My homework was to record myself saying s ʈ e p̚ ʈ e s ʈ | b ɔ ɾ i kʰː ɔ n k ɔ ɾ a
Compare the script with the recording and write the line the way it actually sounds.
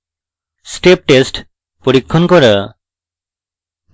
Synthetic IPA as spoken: s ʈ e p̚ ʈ e s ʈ | p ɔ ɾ i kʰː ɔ n k ɔ ɾ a